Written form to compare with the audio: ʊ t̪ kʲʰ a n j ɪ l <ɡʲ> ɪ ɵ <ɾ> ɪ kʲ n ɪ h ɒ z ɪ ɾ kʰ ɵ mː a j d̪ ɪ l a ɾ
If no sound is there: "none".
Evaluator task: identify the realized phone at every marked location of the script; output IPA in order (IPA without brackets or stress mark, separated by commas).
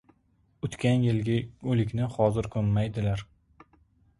ɡʲ, l